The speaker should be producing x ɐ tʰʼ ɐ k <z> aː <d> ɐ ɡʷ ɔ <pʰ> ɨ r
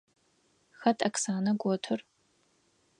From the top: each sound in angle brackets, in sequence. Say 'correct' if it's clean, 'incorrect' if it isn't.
incorrect, incorrect, incorrect

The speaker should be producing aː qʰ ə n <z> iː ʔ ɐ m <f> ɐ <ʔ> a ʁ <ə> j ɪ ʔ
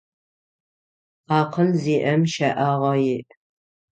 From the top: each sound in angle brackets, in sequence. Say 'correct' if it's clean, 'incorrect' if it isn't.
correct, incorrect, correct, incorrect

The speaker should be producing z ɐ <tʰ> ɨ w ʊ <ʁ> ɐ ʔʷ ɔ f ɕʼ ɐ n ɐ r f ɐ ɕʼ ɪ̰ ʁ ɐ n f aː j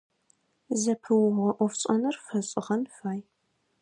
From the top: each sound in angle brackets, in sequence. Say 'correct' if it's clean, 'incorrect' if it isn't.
incorrect, correct

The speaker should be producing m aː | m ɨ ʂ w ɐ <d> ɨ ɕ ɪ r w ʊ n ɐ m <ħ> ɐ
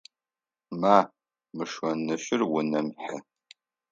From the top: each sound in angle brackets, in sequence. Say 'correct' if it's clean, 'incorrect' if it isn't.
incorrect, correct

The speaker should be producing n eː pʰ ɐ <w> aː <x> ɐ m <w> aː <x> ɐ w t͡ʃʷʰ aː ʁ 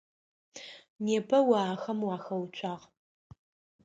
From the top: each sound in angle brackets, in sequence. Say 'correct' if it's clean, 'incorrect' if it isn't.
correct, correct, correct, correct

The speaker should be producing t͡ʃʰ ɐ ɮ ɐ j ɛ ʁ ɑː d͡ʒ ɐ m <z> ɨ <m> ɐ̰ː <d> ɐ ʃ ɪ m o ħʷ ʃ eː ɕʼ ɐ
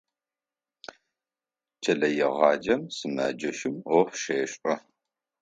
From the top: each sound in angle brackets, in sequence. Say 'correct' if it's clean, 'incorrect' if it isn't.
incorrect, correct, incorrect

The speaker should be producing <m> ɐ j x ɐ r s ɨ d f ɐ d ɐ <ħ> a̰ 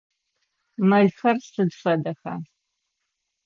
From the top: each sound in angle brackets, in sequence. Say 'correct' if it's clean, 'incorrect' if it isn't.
correct, incorrect

